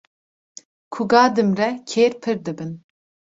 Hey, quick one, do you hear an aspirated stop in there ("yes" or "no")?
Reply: yes